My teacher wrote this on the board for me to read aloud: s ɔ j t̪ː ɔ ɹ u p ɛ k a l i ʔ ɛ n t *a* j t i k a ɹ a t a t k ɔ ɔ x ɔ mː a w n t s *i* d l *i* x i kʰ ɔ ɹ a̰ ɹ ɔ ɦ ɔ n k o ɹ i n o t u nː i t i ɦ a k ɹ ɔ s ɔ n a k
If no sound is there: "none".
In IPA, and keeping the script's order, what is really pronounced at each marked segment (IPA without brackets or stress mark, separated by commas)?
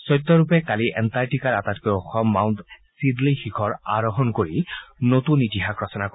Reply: a, i, i